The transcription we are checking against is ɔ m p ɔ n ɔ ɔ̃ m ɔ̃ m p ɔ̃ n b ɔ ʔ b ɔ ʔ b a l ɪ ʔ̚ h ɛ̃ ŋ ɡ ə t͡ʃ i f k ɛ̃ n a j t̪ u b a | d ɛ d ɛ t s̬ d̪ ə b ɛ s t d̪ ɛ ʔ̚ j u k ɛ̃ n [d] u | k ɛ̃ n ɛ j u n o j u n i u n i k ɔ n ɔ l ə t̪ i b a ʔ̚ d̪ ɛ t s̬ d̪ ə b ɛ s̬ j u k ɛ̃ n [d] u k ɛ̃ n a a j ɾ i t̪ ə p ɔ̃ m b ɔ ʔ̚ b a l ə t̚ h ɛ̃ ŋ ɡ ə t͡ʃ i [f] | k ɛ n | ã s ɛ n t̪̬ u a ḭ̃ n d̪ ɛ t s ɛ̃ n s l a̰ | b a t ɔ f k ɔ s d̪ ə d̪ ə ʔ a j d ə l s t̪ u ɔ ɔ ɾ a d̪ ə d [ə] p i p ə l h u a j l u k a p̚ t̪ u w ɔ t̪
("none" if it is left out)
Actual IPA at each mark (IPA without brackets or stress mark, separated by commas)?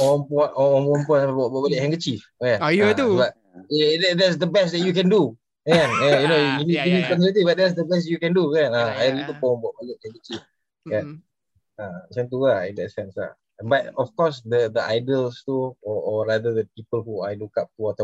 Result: d, d, f, ə